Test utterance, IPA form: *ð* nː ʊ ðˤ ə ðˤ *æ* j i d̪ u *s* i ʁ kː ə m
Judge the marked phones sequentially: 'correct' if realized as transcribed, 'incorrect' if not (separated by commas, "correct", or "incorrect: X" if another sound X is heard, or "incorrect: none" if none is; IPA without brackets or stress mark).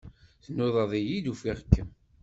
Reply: incorrect: θ, incorrect: i, incorrect: f